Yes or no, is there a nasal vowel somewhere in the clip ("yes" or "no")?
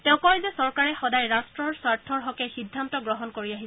yes